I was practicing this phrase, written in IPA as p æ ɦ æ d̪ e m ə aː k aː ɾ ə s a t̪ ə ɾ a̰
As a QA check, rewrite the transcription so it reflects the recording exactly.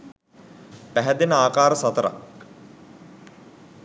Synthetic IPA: p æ ɦ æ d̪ e n ə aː k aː ɾ ə s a t̪ ə ɾ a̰